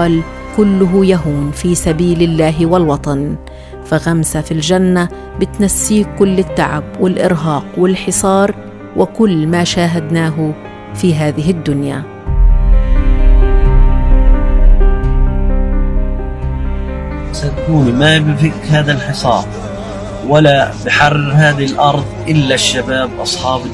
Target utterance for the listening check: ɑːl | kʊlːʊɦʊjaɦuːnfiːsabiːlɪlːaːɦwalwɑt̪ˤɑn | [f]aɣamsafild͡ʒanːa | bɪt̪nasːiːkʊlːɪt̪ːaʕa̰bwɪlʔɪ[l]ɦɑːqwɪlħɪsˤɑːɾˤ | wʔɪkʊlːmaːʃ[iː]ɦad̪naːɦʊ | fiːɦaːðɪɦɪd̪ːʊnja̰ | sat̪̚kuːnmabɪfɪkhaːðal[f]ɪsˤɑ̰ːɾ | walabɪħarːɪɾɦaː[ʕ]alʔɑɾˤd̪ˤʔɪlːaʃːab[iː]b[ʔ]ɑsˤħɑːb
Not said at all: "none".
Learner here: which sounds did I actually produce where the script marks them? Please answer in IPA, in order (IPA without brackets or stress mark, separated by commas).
f, ɾ, aː, ħ, ð, aː, ʔ